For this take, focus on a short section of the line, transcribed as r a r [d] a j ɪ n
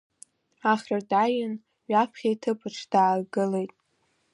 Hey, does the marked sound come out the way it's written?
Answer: yes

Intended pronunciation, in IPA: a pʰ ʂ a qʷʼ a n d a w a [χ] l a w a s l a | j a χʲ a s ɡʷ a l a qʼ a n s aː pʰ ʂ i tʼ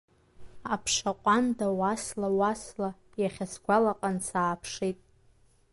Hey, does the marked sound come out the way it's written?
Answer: no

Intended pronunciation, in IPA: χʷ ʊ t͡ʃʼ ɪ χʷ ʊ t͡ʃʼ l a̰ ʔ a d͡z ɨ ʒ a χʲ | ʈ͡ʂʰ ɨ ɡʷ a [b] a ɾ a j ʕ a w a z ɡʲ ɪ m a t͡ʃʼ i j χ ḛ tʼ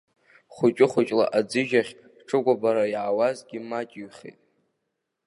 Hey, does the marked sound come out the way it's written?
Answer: yes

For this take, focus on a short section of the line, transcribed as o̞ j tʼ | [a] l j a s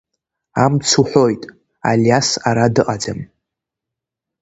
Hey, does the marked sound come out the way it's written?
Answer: yes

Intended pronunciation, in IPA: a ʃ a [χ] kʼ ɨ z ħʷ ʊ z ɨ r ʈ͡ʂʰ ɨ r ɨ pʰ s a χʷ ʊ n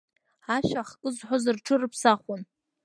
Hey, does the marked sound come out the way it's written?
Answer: yes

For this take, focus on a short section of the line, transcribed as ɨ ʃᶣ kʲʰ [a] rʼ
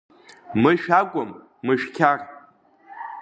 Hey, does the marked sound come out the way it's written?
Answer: yes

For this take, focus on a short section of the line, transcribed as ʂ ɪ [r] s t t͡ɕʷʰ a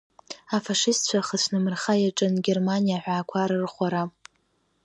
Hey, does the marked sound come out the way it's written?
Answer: no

